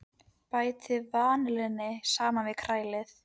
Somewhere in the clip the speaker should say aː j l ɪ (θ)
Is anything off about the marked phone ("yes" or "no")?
no